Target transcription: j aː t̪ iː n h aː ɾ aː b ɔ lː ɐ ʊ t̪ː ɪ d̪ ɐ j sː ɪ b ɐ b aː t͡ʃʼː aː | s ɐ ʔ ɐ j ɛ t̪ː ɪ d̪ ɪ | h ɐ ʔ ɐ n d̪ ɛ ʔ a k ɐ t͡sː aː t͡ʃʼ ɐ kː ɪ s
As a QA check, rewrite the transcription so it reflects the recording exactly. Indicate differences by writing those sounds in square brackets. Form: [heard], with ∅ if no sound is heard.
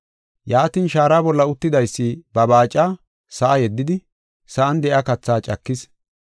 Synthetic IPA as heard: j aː t̪ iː n [ʃ] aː ɾ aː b ɔ lː ɐ ʊ t̪ː ɪ d̪ ɐ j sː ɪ b ɐ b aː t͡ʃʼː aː | s ɐ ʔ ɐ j ɛ [d̪ː] ɪ d̪ ɪ | [s] ɐ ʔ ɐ n d̪ ɛ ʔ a k ɐ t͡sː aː t͡ʃʼ ɐ kː ɪ s